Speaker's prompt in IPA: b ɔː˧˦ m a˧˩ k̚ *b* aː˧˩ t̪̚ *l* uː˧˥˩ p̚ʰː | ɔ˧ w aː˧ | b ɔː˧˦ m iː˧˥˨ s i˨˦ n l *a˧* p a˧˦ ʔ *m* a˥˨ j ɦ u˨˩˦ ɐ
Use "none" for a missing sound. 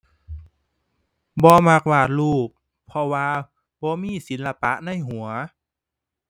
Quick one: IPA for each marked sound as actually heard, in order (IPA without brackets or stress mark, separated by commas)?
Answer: w, l, a˧, n